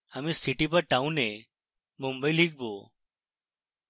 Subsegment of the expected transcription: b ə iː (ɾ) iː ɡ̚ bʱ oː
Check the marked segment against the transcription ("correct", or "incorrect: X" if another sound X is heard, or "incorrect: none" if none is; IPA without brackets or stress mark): incorrect: l